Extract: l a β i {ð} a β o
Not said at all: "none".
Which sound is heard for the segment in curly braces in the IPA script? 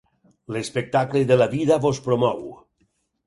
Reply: ð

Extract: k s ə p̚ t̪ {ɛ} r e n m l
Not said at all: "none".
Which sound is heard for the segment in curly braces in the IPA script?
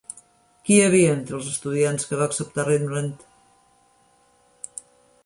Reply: a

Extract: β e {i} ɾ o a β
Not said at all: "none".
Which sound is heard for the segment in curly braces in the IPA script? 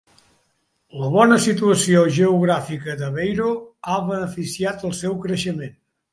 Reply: j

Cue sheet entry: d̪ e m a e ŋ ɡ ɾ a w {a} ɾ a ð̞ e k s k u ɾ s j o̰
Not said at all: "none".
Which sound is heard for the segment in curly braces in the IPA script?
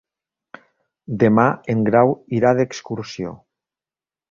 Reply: i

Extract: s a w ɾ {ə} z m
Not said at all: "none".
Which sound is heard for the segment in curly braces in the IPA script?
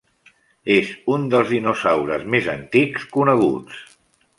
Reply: ə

